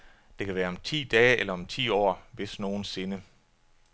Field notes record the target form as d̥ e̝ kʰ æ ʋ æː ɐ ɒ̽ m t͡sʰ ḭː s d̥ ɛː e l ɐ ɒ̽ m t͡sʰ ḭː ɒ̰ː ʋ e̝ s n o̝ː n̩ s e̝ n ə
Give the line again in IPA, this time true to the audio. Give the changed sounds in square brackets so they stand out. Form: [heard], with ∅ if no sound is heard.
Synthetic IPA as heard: d̥ e̝ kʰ æ ʋ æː ɐ ɒ̽ m t͡sʰ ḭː [∅] d̥ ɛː e l ɐ ɒ̽ m t͡sʰ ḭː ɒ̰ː ʋ e̝ s n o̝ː n̩ s e̝ n ə